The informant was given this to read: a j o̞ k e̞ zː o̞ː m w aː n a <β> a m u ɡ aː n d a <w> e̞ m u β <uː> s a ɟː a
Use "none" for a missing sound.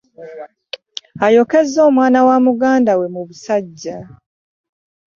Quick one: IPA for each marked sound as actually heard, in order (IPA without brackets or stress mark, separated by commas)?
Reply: w, w, u